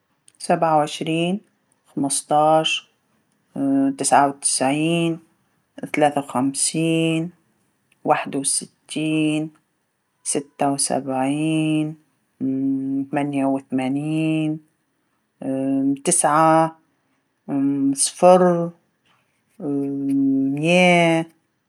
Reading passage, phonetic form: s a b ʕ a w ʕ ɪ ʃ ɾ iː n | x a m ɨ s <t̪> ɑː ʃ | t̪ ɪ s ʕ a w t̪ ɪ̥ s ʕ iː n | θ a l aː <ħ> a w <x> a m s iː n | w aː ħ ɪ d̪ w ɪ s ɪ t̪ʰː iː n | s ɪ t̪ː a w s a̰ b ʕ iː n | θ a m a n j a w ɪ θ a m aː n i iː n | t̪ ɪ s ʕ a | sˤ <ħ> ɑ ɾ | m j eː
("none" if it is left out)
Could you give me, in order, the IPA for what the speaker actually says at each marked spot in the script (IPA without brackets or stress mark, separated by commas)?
t̪, θ, x, f